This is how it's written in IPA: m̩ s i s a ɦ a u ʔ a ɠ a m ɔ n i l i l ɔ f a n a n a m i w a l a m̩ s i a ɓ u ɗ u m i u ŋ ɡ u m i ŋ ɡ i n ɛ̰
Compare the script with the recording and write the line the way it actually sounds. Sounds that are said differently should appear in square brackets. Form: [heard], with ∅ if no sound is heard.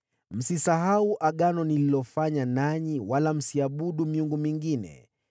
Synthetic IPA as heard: m̩ s i s a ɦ a u ʔ a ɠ a [n] ɔ n i l i l ɔ f a [ɲ] a n a [ɲ] i w a l a m̩ s i a ɓ u ɗ u m i u ŋ ɡ u m i ŋ ɡ i n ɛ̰